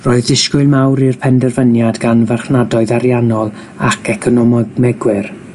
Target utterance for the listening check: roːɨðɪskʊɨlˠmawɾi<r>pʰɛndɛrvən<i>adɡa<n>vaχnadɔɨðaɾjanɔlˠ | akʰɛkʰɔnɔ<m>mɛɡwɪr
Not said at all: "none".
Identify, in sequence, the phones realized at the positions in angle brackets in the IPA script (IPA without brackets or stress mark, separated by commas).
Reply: r, j, n, m